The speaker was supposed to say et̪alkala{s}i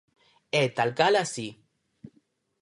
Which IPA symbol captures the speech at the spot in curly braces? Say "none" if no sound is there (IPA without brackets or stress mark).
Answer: s